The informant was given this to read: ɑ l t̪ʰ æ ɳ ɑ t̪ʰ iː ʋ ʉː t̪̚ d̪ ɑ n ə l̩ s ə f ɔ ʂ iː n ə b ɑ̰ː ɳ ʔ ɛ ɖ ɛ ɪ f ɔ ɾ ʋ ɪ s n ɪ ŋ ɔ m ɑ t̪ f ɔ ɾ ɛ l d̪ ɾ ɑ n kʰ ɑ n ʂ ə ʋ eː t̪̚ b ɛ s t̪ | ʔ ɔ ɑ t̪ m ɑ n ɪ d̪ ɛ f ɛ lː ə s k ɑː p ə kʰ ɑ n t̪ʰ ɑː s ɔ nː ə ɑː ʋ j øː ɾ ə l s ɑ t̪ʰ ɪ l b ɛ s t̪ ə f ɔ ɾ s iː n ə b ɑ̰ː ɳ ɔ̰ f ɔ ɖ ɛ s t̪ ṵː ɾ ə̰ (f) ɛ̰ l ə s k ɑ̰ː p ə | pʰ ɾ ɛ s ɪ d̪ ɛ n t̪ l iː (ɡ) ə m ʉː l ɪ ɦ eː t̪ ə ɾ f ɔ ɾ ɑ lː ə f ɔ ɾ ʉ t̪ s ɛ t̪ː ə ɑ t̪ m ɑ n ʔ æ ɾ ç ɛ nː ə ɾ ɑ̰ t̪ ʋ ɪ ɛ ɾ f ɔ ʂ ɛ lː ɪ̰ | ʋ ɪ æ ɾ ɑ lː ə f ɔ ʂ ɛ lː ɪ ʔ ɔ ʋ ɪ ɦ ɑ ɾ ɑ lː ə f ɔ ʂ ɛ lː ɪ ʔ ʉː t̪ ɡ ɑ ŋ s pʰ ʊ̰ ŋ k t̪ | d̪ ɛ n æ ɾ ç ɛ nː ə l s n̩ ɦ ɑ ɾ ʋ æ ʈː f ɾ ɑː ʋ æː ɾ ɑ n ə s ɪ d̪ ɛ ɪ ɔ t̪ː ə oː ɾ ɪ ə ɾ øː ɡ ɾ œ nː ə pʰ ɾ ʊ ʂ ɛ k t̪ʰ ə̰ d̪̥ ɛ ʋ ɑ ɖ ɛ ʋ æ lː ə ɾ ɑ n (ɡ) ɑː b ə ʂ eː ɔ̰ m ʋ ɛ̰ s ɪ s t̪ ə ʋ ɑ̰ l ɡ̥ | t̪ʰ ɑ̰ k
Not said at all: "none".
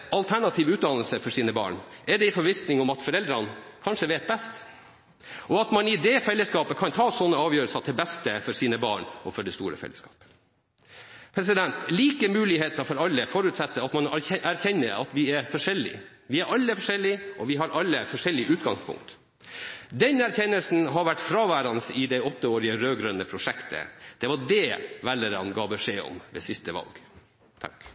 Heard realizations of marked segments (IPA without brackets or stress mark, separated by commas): f, k, ɡ